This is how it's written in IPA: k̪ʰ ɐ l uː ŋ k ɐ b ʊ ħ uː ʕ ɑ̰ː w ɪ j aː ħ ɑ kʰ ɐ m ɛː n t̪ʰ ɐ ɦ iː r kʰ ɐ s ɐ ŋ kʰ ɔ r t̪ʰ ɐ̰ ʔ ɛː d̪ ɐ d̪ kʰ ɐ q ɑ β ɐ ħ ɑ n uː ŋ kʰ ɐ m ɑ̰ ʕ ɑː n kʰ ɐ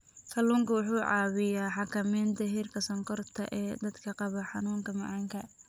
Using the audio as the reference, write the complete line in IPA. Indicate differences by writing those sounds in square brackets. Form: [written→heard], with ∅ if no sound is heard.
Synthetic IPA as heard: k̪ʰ ɐ l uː ŋ k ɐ [b→w] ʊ ħ uː ʕ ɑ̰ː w ɪ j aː ħ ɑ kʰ ɐ m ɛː n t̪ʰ ɐ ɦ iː r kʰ ɐ s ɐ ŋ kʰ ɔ r t̪ʰ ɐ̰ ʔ ɛː d̪ ɐ d̪ kʰ ɐ q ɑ β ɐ ħ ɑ n uː ŋ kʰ ɐ m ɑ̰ ʕ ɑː [n→ŋ] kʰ ɐ

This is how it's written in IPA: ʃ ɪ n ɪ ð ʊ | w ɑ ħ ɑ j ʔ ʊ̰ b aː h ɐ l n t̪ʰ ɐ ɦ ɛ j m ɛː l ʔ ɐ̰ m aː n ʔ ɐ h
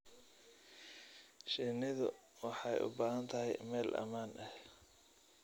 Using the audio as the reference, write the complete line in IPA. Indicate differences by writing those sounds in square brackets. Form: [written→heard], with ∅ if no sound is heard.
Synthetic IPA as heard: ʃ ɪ n ɪ ð ʊ | w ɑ ħ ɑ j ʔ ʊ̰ b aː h ɐ [l→∅] n t̪ʰ ɐ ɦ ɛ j m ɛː l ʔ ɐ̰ m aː n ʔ ɐ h

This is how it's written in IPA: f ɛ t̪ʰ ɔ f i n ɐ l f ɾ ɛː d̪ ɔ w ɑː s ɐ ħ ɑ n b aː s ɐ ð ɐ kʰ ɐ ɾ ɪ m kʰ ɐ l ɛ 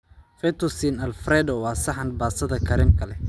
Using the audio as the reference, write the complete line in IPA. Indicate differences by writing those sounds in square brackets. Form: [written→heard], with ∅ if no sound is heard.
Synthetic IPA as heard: f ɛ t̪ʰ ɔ [f→s] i n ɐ l f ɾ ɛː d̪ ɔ w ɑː s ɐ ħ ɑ n b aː s ɐ ð ɐ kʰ ɐ ɾ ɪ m kʰ ɐ l ɛ

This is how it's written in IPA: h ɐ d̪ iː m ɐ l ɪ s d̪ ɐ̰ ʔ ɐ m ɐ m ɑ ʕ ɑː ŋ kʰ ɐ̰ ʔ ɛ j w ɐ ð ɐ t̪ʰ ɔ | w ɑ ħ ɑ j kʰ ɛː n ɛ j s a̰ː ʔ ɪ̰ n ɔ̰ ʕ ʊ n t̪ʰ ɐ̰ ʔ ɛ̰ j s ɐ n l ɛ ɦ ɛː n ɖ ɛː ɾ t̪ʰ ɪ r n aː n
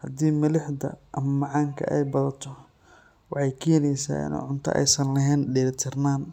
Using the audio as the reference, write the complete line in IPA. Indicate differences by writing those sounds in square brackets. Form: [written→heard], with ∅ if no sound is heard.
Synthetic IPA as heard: h ɐ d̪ iː m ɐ l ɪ [s→ħ] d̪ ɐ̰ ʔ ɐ m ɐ m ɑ ʕ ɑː ŋ kʰ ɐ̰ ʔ ɛ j [w→b] ɐ ð ɐ t̪ʰ ɔ | w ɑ ħ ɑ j kʰ ɛː n ɛ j s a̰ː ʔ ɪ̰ n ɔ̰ ʕ ʊ n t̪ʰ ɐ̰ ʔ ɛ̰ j s ɐ n l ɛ ɦ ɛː n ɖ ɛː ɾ t̪ʰ ɪ r n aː n

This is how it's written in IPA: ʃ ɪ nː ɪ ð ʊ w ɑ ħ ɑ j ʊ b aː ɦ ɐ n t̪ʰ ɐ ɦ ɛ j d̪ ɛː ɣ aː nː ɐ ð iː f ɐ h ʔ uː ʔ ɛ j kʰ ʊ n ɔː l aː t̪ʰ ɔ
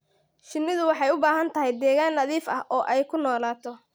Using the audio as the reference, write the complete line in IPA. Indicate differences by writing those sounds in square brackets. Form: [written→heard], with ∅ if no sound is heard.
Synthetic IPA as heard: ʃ ɪ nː ɪ ð ʊ w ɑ ħ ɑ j ʊ b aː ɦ ɐ n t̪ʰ ɐ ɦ ɛ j d̪ ɛː ɣ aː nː ɐ ð iː f ɐ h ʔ [uː→ɔː] ʔ ɛ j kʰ ʊ n ɔː l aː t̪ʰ ɔ

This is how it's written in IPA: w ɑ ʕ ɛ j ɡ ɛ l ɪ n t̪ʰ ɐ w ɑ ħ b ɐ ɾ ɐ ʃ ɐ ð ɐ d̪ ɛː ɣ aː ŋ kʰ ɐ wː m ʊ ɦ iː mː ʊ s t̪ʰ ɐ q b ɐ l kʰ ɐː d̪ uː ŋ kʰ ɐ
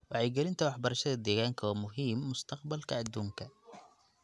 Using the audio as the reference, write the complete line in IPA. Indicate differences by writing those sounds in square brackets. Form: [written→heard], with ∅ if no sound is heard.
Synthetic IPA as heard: w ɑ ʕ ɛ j ɡ ɛ l ɪ n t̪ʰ ɐ w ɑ ħ b ɐ ɾ ɐ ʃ ɐ ð ɐ d̪ ɛː ɣ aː ŋ kʰ ɐ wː m ʊ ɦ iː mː ʊ s t̪ʰ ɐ q b ɐ l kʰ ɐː d̪ uː ŋ kʰ ɐ

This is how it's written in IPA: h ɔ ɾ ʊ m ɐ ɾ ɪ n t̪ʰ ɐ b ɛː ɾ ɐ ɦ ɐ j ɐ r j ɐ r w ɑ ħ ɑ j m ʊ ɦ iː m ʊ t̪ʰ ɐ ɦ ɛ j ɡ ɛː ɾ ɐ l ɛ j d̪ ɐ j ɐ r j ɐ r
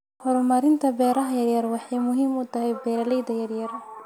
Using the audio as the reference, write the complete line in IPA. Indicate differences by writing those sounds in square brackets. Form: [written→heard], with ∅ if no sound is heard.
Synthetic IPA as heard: h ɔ ɾ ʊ m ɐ ɾ ɪ n t̪ʰ ɐ b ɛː ɾ ɐ ɦ ɐ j ɐ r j ɐ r w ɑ ħ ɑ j m ʊ ɦ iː m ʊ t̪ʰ ɐ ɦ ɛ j [ɡ→b] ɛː ɾ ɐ l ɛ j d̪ ɐ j ɐ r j ɐ r

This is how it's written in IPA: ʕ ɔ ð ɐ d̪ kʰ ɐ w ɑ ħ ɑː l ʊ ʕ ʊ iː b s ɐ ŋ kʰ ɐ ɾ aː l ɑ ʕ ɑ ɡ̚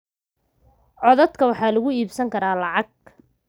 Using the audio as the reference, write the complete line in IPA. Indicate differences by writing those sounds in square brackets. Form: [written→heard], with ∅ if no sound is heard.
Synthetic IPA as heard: ʕ ɔ ð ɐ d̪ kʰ ɐ w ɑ ħ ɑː l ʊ [ʕ→ɣ] ʊ iː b s ɐ ŋ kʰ ɐ ɾ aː l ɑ ʕ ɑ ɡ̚

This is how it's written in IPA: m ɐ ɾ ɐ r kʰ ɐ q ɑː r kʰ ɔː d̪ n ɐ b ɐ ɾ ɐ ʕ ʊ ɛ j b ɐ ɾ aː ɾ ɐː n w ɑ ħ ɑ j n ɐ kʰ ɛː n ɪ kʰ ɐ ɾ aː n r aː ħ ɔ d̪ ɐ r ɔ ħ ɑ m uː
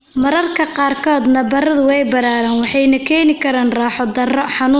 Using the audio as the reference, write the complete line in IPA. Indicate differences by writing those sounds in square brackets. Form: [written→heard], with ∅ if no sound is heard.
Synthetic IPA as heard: m ɐ ɾ ɐ r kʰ ɐ q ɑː r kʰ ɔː d̪ n ɐ b ɐ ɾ ɐ [ʕ→ð] ʊ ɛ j b ɐ ɾ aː ɾ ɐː n w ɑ ħ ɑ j n ɐ kʰ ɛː n ɪ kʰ ɐ ɾ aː n r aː ħ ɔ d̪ ɐ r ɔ ħ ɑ [m→n] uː

